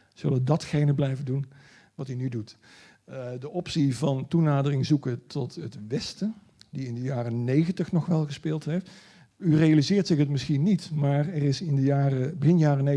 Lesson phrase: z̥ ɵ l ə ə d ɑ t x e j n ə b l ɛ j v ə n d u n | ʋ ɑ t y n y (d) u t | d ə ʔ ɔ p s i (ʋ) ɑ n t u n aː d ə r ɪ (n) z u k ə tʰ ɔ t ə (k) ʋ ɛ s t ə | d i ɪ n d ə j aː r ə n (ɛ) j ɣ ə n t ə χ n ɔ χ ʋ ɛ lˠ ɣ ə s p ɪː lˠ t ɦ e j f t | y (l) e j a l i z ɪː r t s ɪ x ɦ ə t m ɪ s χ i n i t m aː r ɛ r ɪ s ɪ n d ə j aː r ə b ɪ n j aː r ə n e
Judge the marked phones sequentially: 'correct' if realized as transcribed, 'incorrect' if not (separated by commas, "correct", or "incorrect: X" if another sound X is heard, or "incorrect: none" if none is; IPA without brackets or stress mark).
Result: correct, incorrect: v, incorrect: ŋ, incorrect: t, incorrect: e, incorrect: r